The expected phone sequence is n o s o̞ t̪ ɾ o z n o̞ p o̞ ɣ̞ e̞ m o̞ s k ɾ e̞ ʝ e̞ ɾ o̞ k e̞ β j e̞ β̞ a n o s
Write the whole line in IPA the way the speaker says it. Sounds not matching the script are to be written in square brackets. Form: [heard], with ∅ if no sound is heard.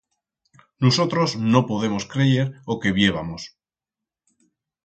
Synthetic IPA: n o s o̞ t̪ ɾ o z n o̞ p o̞ [ð̞] e̞ m o̞ s k ɾ e̞ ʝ e̞ ɾ o̞ k e̞ β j e̞ β̞ a [m] o s